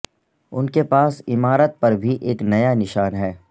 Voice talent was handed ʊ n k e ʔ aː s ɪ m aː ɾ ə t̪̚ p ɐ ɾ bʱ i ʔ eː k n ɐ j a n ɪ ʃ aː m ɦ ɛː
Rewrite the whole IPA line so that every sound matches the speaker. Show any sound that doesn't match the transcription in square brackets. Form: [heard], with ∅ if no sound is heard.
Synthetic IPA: ʊ n k e [p] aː s ɪ m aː ɾ ə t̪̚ p ɐ ɾ bʱ i ʔ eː k n ɐ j a n ɪ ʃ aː [n] ɦ ɛː